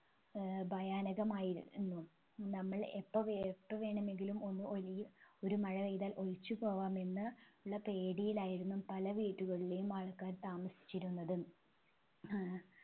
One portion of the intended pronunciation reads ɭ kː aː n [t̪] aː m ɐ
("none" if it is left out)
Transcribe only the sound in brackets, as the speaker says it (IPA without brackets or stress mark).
t̪